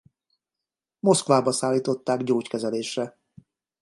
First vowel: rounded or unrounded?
rounded